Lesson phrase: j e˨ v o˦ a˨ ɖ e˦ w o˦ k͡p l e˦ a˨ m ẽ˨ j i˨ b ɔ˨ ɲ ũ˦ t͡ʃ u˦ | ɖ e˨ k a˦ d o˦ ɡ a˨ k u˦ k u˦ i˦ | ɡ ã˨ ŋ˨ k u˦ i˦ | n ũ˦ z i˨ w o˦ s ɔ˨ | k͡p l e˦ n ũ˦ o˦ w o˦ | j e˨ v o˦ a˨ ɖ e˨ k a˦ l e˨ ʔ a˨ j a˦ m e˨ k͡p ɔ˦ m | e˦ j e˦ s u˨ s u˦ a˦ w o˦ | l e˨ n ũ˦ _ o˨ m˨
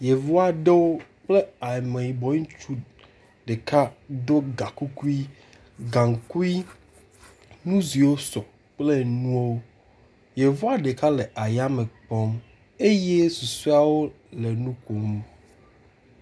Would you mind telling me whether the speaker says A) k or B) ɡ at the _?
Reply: A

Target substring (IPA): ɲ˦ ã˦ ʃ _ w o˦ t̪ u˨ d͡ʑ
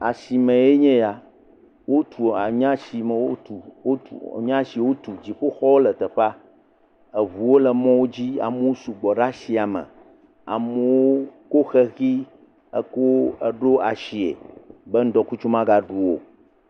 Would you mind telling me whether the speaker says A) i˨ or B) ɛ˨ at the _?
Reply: A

